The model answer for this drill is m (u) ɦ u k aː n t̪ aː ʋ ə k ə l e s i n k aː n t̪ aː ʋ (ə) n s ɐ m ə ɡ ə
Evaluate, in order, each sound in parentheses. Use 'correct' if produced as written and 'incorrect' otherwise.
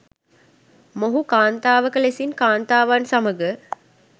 incorrect: o, incorrect: a

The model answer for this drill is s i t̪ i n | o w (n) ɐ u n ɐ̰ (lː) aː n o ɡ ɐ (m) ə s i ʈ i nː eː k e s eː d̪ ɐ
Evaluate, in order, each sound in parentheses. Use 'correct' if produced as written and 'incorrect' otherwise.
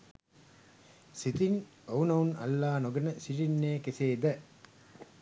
correct, correct, incorrect: n

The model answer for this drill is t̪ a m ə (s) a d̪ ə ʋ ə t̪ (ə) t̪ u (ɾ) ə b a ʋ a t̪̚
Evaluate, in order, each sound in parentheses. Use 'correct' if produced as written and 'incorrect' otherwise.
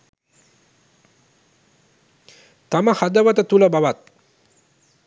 incorrect: h, correct, incorrect: l

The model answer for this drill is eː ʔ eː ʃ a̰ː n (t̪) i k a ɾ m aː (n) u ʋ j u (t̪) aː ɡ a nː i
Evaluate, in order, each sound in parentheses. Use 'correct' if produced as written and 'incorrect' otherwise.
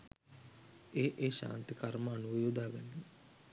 correct, correct, incorrect: d̪

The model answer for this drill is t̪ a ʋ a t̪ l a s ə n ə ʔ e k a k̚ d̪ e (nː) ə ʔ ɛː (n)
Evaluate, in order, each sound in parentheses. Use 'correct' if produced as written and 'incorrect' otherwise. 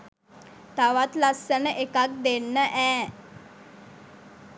correct, incorrect: none

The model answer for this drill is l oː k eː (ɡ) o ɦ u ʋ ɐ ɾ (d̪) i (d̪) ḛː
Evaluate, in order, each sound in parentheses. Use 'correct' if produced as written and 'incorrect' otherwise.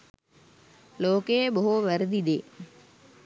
incorrect: b, correct, correct

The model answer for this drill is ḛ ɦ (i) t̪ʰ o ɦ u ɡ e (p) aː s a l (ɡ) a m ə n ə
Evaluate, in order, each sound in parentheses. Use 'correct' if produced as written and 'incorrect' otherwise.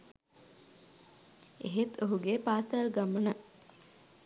incorrect: e, correct, correct

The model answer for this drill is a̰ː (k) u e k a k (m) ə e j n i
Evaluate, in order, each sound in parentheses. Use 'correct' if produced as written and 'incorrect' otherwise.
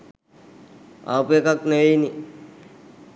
incorrect: p, incorrect: n

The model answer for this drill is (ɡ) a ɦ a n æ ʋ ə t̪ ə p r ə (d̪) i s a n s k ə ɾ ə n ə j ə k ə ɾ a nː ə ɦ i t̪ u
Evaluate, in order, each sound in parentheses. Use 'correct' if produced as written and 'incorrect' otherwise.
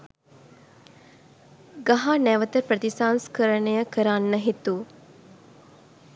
correct, incorrect: t̪

